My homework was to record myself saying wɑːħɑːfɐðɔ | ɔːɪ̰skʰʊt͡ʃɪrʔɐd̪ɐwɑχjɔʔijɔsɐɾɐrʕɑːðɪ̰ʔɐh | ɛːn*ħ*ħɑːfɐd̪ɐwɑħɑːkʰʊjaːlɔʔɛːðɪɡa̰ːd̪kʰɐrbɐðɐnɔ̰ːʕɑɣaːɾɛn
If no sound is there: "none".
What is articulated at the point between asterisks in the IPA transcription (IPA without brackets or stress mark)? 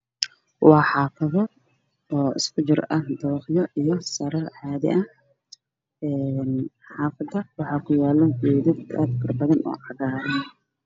ħ